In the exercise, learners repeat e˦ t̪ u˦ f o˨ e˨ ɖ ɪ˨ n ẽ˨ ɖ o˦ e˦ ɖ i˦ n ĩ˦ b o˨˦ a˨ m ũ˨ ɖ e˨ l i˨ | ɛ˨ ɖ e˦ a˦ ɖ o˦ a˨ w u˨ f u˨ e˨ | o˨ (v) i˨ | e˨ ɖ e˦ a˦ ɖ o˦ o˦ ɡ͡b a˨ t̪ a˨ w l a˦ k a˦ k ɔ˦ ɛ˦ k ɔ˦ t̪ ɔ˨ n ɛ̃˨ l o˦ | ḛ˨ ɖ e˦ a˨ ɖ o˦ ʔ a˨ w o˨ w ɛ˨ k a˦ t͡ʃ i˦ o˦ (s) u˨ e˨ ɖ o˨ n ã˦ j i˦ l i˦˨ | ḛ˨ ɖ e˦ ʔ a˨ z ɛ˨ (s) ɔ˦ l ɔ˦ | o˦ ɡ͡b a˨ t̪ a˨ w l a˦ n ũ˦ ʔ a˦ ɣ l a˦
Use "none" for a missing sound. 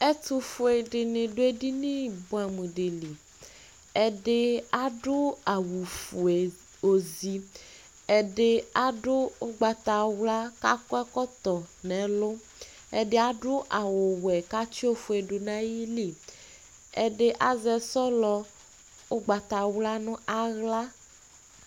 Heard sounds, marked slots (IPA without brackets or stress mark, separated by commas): z, f, s